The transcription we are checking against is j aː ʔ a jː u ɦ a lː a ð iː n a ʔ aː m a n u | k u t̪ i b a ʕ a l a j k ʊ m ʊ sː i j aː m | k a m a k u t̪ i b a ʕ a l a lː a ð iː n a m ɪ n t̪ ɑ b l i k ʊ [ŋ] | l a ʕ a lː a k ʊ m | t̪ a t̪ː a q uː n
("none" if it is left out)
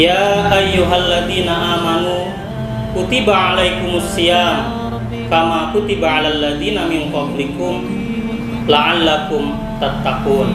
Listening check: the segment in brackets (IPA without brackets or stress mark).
m